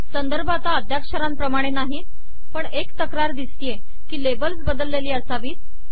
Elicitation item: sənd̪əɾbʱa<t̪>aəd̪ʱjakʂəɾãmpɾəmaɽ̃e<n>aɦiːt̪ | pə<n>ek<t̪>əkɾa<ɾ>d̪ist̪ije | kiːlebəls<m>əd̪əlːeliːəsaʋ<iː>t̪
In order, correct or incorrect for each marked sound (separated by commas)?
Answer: correct, correct, incorrect, correct, correct, incorrect, correct